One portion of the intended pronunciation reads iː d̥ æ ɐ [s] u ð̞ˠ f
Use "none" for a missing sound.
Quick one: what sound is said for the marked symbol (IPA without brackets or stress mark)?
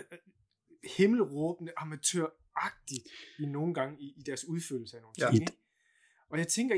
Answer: s